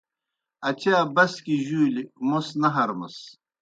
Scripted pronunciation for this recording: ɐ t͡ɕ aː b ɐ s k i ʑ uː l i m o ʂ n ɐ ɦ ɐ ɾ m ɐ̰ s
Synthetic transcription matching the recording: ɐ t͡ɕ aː b ɐ s k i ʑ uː l i m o s n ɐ ɦ ɐ ɾ m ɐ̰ s

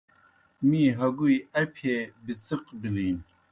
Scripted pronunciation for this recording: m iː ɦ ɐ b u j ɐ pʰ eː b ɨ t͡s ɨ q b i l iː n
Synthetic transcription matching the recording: m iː ɦ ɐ ɡ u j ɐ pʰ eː b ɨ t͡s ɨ q b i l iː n

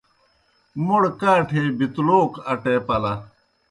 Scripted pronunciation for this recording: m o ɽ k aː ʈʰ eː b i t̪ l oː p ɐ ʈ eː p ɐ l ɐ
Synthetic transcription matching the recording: m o ɽ k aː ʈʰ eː b i t̪ l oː k ɐ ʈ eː p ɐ l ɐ

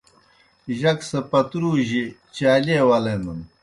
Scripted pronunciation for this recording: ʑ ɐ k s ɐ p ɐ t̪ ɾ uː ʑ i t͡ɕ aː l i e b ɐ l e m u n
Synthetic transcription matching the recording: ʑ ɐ k s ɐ p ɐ t̪ ɾ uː ʑ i t͡ɕ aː l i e w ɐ l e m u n

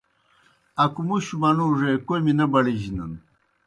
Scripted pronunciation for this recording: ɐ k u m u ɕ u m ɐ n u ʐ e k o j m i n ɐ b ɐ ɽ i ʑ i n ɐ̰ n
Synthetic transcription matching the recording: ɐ k u m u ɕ u m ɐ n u ʐ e k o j m i n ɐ b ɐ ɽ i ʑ i n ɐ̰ n

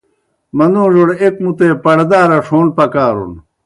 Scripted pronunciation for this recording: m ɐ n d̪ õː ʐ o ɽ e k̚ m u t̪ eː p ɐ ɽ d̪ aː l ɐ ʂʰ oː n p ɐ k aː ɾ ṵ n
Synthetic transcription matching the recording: m ɐ n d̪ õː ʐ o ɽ e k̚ m u t̪ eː p ɐ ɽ d̪ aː ɾ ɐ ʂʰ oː n p ɐ k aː ɾ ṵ n

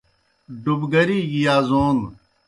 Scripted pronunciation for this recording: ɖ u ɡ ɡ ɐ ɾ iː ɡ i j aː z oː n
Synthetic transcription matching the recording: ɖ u b ɡ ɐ ɾ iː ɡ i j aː z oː n

